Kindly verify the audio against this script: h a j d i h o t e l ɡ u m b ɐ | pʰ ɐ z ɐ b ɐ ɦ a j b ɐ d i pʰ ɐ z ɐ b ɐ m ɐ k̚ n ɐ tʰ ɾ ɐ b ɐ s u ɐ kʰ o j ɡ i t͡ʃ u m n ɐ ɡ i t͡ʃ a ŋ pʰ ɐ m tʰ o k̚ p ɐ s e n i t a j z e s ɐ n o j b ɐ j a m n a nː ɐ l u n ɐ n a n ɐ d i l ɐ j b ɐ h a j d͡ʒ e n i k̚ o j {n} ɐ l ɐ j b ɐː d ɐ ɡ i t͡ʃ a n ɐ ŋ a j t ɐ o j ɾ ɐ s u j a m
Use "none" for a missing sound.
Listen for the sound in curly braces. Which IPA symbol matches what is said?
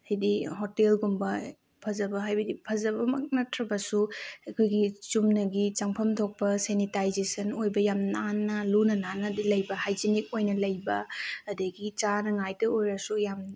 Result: n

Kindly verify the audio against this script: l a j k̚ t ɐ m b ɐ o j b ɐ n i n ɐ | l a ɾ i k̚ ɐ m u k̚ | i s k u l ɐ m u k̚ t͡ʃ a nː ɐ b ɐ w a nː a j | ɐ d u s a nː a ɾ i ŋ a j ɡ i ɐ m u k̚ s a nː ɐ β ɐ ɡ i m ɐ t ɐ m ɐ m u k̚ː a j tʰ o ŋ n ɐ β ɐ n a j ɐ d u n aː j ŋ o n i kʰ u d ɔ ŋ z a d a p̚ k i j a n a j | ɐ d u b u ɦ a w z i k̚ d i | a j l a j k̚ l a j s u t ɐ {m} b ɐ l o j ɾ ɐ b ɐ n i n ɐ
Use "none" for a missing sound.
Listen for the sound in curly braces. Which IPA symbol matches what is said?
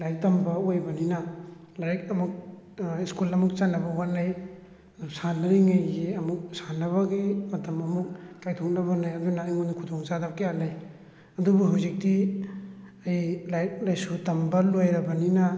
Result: m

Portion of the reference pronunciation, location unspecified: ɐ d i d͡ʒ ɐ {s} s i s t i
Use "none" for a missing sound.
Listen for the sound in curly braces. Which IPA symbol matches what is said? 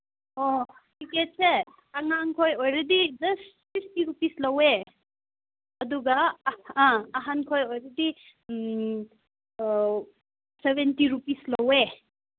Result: s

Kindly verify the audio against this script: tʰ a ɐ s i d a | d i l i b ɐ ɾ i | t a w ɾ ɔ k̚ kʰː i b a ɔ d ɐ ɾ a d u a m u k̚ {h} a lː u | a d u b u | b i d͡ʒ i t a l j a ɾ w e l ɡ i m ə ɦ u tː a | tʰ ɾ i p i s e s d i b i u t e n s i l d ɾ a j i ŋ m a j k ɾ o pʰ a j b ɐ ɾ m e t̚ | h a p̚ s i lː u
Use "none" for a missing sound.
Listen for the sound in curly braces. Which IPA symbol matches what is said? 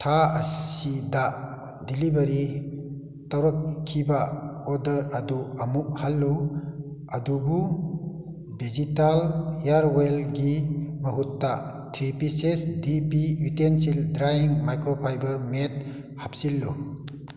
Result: h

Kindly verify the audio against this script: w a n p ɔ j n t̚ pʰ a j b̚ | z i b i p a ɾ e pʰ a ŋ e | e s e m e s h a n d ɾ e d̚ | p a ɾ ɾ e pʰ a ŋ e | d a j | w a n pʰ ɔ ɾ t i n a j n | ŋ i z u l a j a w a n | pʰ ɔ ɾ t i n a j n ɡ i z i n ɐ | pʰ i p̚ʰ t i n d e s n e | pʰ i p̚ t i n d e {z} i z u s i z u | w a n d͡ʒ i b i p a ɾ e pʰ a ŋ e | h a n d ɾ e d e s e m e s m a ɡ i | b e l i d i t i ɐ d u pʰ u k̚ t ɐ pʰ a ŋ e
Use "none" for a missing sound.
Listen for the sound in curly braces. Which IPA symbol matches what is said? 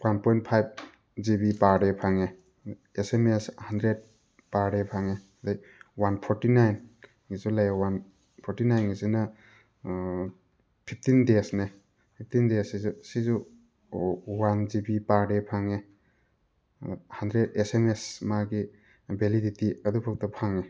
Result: s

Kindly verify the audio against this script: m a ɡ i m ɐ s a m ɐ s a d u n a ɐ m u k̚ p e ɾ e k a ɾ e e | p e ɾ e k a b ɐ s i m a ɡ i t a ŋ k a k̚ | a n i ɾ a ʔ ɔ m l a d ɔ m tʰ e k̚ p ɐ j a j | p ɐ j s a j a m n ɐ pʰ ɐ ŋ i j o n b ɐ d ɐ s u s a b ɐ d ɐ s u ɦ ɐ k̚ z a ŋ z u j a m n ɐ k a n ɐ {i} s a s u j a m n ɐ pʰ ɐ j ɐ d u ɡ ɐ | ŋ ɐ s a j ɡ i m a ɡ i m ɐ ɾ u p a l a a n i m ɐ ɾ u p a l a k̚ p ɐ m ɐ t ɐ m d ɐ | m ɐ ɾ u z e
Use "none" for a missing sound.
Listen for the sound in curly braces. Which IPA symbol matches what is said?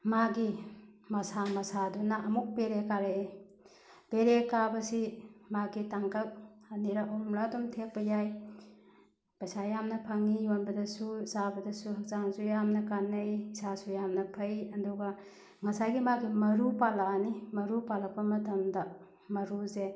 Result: j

